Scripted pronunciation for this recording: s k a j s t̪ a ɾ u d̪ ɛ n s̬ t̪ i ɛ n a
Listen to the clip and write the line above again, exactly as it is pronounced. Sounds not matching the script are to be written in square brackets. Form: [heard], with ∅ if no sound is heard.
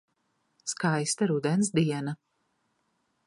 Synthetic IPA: s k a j s t̪ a ɾ u d̪ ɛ n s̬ [d̪] i ɛ n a